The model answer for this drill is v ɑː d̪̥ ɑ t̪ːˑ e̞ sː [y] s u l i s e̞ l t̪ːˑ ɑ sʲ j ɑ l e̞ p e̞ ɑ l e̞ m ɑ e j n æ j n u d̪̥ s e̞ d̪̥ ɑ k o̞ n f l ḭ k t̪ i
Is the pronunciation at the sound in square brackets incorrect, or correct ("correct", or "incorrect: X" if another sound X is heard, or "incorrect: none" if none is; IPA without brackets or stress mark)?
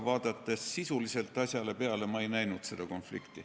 incorrect: i